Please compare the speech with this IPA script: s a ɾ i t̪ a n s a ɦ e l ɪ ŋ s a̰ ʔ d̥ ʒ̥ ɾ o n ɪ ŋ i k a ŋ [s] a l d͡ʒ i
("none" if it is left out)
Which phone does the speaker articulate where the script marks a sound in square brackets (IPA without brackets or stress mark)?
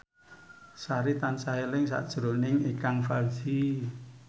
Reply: f